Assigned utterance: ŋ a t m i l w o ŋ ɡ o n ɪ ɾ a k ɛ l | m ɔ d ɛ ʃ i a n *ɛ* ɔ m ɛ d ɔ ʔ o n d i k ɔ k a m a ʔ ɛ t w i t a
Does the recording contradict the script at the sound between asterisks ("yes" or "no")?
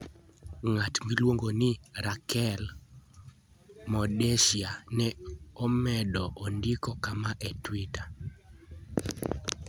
no